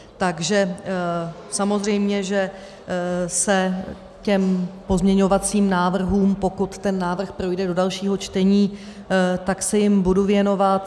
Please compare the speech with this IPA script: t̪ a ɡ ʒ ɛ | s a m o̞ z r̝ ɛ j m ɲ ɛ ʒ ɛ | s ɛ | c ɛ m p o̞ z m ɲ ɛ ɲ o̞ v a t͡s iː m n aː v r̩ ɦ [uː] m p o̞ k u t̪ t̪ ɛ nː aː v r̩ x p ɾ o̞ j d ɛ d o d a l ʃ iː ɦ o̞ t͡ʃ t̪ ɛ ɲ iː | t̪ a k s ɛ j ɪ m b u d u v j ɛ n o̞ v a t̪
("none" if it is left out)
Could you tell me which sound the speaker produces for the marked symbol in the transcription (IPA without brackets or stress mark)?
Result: uː